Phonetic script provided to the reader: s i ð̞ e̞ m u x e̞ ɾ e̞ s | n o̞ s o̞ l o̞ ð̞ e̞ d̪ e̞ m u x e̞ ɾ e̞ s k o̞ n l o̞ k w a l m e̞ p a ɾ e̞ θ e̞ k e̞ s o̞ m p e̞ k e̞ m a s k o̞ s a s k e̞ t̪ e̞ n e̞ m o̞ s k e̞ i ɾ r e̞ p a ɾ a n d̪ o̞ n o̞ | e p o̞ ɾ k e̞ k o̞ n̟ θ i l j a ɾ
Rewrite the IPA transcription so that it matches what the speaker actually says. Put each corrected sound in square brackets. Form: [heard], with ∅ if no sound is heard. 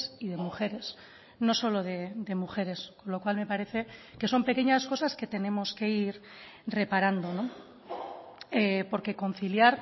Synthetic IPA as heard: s i ð̞ e̞ m u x e̞ ɾ e̞ s | n o̞ s o̞ l o̞ ð̞ e̞ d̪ e̞ m u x e̞ ɾ e̞ s k o̞ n l o̞ k w a l m e̞ p a ɾ e̞ θ e̞ k e̞ s o̞ m p e̞ k e̞ [ɲ] a s k o̞ s a s k e̞ t̪ e̞ n e̞ m o̞ s k e̞ i ɾ r e̞ p a ɾ a n d̪ o̞ n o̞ | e p o̞ ɾ k e̞ k o̞ n̟ θ i l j a ɾ